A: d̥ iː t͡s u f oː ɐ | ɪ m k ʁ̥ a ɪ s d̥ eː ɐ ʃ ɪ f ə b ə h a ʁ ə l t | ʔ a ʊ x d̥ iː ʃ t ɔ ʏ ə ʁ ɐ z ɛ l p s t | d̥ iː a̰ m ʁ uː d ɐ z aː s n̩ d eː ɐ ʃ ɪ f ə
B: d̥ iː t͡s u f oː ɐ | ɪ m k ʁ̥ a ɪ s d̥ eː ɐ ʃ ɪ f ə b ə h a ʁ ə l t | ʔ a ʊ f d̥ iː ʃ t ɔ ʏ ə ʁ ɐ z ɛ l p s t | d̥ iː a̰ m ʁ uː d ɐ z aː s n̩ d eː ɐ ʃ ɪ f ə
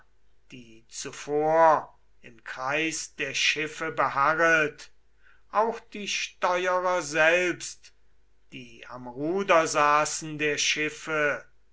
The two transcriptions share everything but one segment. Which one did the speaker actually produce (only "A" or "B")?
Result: A